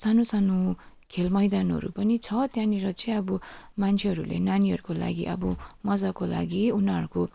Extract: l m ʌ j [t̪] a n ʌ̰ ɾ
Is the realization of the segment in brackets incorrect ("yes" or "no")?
yes